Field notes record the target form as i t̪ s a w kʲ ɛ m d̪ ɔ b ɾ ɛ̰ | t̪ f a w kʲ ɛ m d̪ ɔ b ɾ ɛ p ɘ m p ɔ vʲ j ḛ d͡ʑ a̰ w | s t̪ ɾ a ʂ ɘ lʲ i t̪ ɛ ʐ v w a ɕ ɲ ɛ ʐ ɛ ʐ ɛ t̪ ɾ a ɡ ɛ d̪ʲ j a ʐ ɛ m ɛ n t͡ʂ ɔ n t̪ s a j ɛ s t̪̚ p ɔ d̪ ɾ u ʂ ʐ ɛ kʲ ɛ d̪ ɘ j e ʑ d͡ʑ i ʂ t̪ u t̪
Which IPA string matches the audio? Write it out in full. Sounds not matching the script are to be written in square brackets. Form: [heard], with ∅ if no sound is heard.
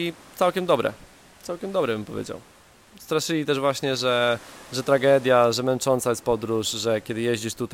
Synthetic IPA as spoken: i t̪ s a w kʲ ɛ m d̪ ɔ b ɾ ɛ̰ | t̪ [s] a w kʲ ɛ m d̪ ɔ b ɾ ɛ [b] ɘ m p ɔ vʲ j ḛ d͡ʑ a̰ w | s t̪ ɾ a ʂ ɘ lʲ i t̪ ɛ ʐ v w a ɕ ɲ ɛ ʐ ɛ ʐ ɛ t̪ ɾ a ɡ ɛ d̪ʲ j a ʐ ɛ m ɛ n t͡ʂ ɔ n t̪ s a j ɛ s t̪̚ p ɔ d̪ ɾ u ʂ ʐ ɛ kʲ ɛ d̪ ɘ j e ʑ d͡ʑ i ʂ t̪ u t̪